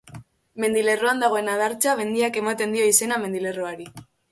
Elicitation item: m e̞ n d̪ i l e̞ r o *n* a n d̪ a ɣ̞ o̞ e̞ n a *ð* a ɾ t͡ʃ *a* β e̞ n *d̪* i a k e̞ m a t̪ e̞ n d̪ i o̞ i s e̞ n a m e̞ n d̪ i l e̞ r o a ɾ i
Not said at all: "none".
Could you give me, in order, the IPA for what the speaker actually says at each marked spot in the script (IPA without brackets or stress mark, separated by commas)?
none, ð, a, d̪